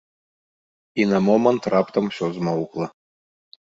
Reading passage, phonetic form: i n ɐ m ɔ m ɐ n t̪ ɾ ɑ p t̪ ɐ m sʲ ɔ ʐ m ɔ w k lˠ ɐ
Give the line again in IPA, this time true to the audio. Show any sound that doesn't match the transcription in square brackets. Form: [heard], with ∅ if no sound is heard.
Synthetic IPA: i n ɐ m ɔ m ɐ n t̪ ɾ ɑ p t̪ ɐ m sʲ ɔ [z] m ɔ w k lˠ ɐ